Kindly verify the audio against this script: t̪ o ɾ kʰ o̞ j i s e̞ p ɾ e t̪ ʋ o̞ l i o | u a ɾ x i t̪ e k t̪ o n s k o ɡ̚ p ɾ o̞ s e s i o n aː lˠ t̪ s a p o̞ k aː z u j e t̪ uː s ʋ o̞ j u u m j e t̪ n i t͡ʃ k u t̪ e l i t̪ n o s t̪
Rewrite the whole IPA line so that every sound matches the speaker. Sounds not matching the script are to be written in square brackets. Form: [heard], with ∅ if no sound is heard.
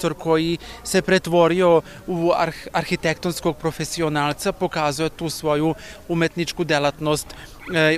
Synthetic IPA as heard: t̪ o ɾ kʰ o̞ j i s e̞ p ɾ e t̪ ʋ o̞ [ɾ] i o | u a ɾ x i t̪ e k t̪ o n s k o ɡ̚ p ɾ o̞ [f] e s i o n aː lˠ t̪ s a p o̞ k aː z u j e t̪ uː s ʋ o̞ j u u m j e t̪ n i t͡ʃ k u [d̪] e l [a] t̪ n o s t̪